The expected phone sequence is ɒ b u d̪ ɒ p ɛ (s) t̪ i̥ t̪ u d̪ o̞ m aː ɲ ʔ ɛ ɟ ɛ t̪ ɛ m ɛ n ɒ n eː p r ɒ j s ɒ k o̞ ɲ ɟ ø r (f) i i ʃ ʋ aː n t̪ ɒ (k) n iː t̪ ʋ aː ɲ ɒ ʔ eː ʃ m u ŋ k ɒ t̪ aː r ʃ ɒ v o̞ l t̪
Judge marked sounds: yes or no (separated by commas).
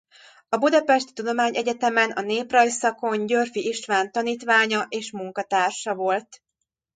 no, yes, no